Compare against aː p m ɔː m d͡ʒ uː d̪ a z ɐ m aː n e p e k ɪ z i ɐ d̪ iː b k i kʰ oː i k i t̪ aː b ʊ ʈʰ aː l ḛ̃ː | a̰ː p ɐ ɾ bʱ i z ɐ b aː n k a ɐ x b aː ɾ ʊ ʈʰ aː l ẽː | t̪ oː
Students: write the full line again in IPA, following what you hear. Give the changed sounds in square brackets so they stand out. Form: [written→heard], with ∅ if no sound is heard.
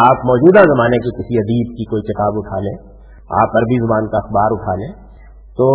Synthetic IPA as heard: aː p m ɔː [m→∅] d͡ʒ uː d̪ a z ɐ m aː n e [p→k] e k ɪ [z→s] i ɐ d̪ iː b k i [kʰ→k] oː i k [i→ɪ] t̪ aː b ʊ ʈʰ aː l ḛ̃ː | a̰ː p ɐ ɾ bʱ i z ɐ b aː n k a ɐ x b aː ɾ ʊ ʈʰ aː l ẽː | t̪ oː